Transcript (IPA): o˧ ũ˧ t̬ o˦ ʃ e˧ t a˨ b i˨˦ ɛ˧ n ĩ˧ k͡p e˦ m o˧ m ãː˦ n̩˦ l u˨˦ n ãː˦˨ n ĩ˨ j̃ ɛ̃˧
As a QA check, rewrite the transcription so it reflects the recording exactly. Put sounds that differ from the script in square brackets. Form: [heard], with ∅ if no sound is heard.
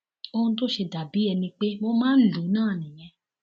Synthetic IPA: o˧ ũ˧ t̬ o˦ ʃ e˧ [d] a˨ b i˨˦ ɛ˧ n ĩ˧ k͡p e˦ m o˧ m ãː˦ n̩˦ l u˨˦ n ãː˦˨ n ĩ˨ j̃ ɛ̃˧